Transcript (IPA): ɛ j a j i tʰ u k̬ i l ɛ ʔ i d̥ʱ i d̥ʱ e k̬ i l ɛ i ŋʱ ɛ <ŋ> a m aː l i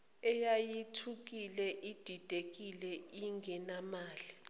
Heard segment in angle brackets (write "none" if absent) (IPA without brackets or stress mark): n